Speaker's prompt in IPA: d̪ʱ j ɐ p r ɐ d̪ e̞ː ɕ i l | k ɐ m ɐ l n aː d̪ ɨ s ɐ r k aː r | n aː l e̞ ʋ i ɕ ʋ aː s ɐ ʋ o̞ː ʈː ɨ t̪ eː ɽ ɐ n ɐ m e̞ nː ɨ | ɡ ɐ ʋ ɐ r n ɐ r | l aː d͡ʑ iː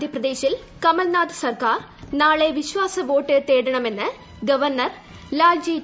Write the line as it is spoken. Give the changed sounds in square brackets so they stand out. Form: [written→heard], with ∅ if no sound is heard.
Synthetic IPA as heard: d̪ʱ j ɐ p r ɐ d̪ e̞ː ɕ i l | k ɐ m ɐ l n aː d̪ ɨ s ɐ r k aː r | n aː [l→ɭ] e̞ ʋ i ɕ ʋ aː s ɐ ʋ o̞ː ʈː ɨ t̪ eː ɽ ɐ [n→ɳ] ɐ m e̞ nː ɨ | ɡ ɐ ʋ ɐ r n ɐ r | l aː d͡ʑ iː